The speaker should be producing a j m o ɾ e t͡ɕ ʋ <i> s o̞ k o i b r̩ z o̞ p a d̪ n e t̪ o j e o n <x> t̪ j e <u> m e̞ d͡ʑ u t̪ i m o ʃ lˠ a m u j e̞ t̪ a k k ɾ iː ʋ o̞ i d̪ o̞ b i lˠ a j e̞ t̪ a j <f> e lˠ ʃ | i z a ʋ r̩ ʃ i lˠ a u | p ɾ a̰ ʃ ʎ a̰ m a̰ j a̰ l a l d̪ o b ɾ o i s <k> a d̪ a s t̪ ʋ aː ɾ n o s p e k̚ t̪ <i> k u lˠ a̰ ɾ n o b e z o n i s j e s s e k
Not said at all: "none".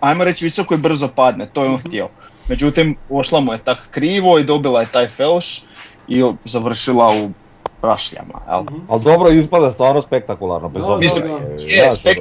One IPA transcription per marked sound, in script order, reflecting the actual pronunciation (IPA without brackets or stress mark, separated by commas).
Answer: i, x, o, f, p, a